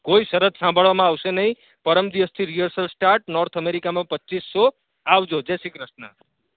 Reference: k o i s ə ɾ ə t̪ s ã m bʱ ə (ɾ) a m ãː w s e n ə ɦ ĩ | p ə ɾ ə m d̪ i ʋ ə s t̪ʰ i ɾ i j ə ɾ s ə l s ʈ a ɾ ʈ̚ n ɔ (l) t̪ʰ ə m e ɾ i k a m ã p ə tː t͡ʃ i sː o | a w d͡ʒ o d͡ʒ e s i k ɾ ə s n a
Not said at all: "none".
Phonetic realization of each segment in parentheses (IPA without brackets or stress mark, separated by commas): ɭ, ɾ